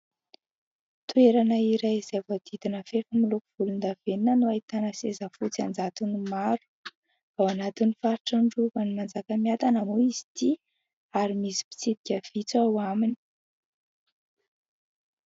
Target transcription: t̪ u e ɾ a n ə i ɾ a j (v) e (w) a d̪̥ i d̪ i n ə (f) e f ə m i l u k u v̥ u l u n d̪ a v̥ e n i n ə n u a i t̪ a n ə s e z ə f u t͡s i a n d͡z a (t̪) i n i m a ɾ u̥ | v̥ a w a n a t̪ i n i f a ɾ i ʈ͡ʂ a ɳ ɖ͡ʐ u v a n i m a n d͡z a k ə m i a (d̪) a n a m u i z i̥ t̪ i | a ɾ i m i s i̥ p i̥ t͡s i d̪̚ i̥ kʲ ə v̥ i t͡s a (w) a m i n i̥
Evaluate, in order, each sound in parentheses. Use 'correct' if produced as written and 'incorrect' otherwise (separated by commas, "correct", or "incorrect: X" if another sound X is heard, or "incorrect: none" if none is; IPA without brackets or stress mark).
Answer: incorrect: z, incorrect: v, correct, correct, incorrect: t̪, correct